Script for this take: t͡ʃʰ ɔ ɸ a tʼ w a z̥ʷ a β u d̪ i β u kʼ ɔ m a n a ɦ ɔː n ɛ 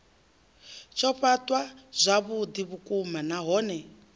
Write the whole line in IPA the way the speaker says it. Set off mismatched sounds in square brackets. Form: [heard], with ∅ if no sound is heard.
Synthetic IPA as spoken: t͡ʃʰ ɔ ɸ a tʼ w a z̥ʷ a β u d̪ i β u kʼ [u] m a n a ɦ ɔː n ɛ